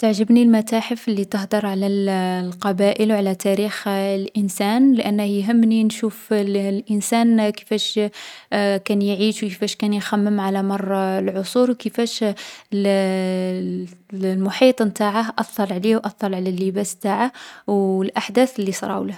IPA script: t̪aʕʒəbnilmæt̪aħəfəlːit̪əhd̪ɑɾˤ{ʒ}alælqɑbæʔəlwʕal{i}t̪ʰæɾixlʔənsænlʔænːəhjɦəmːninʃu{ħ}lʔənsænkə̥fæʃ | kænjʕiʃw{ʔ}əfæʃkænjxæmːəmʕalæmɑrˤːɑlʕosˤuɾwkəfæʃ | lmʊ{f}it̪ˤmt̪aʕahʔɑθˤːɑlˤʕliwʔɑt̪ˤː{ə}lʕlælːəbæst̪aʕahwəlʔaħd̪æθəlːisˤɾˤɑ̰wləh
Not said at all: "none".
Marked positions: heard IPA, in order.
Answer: ʕ, æ, f, k, ħ, ɑ

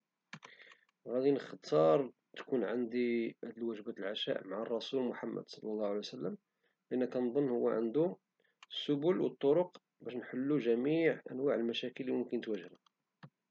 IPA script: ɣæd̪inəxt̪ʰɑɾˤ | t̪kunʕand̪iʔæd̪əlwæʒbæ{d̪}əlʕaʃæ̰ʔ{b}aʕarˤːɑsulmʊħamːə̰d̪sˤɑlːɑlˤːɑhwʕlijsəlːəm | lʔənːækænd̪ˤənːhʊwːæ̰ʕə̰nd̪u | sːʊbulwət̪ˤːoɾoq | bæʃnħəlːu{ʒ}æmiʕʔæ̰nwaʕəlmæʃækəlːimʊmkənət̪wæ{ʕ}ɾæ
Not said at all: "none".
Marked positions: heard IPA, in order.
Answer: t̪, m, ʒ, ʒ

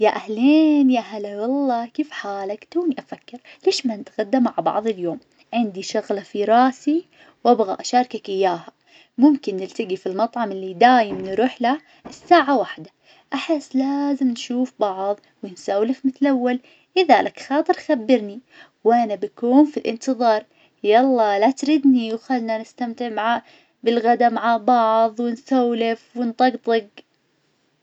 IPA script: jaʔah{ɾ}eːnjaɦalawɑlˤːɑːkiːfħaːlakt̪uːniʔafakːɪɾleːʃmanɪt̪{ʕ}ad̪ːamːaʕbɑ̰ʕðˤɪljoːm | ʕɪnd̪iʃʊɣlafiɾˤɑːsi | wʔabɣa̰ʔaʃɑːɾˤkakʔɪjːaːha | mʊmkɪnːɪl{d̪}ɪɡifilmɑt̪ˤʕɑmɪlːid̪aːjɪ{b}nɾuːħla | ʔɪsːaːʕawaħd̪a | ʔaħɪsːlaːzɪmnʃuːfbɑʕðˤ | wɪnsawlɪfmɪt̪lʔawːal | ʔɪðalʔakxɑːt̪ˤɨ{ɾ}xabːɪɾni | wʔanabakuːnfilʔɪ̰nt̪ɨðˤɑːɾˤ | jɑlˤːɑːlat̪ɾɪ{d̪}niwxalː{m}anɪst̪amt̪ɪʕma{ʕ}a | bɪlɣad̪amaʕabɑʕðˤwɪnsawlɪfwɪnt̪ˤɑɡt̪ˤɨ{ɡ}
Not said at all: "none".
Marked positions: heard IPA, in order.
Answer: l, ɣ, t̪, m, ɾ, d̪, n, ʕ, ɡ

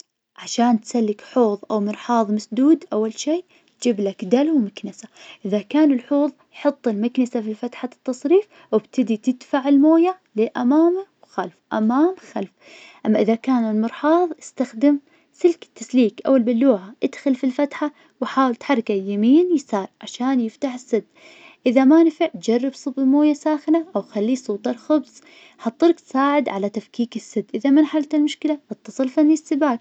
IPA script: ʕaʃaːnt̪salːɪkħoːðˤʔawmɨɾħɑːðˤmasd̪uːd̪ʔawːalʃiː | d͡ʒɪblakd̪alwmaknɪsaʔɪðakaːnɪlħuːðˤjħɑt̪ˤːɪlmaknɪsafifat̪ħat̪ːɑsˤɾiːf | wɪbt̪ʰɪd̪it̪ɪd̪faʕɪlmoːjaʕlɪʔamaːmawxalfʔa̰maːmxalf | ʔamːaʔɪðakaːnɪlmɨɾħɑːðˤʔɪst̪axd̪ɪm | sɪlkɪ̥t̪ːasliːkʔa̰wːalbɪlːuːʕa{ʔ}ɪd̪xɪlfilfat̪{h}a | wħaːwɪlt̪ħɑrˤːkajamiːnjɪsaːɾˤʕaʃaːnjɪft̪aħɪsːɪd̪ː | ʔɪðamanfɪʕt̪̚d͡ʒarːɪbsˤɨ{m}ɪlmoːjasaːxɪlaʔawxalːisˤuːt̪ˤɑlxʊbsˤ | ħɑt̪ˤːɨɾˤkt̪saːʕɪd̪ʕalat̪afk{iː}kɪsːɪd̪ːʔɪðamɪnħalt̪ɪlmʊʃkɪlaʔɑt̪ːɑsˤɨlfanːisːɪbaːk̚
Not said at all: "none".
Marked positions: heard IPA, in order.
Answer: ʔ, ħ, b, iː

